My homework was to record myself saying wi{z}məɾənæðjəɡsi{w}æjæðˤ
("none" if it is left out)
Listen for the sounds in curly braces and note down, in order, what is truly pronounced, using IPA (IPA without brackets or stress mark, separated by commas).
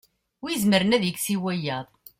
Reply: z, w